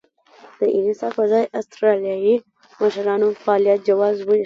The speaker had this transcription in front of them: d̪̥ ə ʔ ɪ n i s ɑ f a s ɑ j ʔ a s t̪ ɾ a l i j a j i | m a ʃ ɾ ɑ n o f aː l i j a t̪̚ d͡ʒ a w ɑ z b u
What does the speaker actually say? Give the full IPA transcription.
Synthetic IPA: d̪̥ ə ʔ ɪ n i s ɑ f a z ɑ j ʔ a s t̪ ɾ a l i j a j i | m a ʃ ɾ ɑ n o f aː l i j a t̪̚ d͡ʒ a w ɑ z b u